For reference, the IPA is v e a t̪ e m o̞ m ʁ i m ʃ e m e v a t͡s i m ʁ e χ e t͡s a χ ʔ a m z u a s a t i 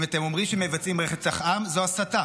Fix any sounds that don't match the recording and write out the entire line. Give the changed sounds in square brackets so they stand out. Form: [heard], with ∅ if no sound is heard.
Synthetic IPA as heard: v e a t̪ e m o̞ m ʁ i m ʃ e m e v a t͡s i m ʁ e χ e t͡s a χ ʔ a m z [o] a s a t [a]